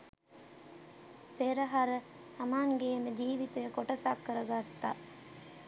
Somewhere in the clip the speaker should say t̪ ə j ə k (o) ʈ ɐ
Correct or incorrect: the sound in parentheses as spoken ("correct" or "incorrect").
correct